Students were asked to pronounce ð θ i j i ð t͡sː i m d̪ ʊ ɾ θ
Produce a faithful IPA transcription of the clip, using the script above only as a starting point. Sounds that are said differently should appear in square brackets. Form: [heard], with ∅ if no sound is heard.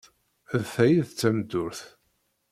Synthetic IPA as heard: ð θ [æ] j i ð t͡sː [æ] m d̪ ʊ ɾ θ